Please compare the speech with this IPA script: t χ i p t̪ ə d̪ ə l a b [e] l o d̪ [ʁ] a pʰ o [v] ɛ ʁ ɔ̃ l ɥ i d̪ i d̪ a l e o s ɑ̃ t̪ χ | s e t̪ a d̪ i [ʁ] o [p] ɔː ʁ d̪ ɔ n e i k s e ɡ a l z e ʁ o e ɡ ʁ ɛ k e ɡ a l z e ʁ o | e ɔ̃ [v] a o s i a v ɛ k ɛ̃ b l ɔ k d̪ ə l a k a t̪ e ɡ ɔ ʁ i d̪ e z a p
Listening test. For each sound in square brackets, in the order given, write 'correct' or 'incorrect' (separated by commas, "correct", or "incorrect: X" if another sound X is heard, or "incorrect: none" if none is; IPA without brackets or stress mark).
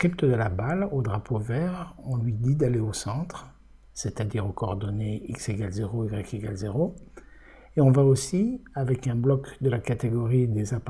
incorrect: a, correct, correct, correct, incorrect: k, correct